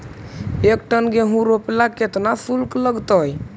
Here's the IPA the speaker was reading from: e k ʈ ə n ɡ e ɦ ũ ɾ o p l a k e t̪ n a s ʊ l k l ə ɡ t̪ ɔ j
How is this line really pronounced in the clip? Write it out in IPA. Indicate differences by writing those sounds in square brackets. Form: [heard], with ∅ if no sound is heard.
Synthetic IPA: e k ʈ ə n ɡ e ɦ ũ ɾ o p l a k e t̪ n a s [u] l k l ə ɡ t̪ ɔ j